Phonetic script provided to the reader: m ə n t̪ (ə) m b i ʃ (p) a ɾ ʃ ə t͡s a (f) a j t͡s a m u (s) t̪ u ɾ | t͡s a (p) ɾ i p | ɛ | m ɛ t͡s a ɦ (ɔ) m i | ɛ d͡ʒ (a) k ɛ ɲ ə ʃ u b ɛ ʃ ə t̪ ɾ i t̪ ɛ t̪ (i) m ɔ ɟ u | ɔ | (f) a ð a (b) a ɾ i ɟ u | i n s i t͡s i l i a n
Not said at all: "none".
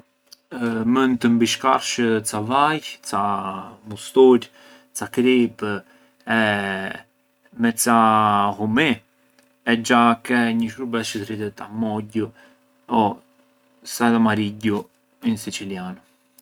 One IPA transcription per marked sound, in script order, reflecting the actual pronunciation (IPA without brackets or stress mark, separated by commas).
ə, k, v, s, k, u, a, a, s, m